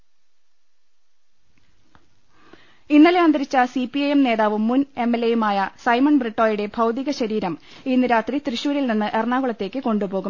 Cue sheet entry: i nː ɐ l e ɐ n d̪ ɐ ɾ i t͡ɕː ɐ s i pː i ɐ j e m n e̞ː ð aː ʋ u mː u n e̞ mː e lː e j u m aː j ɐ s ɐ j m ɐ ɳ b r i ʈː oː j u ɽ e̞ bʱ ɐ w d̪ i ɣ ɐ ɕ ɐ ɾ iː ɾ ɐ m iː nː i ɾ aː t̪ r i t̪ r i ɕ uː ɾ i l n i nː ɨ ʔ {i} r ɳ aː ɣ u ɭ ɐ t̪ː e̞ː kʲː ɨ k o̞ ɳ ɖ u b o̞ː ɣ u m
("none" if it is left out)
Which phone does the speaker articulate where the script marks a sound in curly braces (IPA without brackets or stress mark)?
e